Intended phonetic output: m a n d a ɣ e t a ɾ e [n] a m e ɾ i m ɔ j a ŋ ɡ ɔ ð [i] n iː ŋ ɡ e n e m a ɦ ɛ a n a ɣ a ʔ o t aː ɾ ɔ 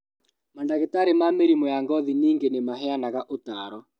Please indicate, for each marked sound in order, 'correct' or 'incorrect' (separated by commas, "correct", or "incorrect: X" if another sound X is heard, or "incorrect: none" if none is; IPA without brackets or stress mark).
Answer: incorrect: m, correct